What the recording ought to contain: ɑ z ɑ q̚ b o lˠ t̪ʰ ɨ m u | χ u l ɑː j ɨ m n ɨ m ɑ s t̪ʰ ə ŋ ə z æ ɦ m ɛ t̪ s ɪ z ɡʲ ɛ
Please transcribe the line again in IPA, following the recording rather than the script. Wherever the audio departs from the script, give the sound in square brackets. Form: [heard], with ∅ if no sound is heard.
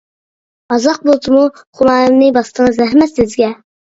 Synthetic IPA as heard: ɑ z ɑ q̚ b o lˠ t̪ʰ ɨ m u | χ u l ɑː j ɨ m n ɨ [b] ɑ s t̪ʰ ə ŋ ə z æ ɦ m ɛ t̪ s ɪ z ɡʲ ɛ